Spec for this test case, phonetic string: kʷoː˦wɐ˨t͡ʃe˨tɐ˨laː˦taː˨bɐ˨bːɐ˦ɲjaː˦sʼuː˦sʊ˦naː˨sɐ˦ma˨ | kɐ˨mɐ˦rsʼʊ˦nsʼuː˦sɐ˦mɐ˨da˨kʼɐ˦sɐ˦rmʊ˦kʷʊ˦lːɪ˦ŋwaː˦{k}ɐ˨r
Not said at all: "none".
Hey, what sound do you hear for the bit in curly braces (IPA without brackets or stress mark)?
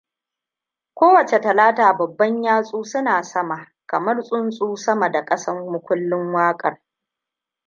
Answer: kʼ